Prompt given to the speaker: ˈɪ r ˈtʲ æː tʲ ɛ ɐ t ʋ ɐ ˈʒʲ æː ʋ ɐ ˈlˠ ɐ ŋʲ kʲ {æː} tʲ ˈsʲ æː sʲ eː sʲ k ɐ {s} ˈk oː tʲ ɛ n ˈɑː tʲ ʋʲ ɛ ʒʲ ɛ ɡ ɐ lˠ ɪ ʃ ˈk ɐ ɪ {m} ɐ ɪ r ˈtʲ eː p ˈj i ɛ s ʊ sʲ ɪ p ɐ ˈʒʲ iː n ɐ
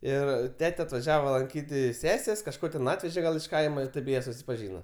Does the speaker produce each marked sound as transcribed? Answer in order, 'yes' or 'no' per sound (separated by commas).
no, no, yes